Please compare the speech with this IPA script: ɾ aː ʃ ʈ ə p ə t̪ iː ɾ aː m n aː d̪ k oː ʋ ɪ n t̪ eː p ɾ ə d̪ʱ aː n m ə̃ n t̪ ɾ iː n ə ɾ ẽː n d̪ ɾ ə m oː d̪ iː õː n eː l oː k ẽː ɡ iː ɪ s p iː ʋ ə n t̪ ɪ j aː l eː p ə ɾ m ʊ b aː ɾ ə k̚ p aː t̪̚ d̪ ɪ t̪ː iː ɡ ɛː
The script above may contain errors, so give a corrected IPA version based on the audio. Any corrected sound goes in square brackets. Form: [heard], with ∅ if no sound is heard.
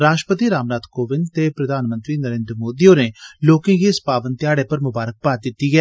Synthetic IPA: ɾ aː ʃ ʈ ə p ə t̪ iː ɾ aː m n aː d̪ k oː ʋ ɪ n t̪ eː p ɾ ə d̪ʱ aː n m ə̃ n t̪ ɾ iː n ə ɾ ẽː n d̪ ɾ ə m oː d̪ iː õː n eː l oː k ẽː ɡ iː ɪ s p [aː] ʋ ə n t̪ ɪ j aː [ɽ] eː p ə ɾ m ʊ b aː ɾ ə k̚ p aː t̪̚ d̪ ɪ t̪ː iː ɡ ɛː